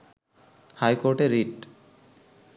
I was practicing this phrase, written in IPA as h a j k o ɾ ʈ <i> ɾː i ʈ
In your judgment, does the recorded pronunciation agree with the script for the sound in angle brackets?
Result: no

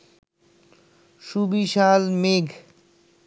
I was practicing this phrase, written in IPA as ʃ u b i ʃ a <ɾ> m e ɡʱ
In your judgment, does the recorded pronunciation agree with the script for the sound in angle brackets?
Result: no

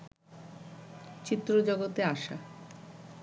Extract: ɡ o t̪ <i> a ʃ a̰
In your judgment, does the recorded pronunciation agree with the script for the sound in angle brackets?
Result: no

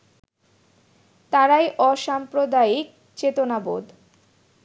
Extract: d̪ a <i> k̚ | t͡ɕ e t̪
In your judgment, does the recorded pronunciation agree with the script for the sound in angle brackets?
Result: yes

